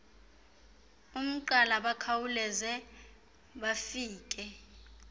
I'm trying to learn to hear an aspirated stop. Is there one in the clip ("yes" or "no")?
yes